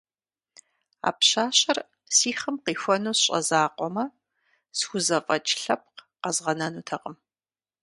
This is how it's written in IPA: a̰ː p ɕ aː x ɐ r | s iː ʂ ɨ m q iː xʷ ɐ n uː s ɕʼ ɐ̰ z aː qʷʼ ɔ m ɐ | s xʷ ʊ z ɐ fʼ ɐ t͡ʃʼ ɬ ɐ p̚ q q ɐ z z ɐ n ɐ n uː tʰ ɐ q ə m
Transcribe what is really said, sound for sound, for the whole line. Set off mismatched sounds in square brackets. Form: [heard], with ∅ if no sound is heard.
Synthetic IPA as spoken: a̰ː p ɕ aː [ɕ] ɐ r | s iː [χ] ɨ m q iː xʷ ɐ n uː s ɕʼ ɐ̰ z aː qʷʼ ɔ m ɐ | s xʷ ʊ z ɐ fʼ ɐ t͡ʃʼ ɬ ɐ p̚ q q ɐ z [ʁ] ɐ n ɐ n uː tʰ ɐ q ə m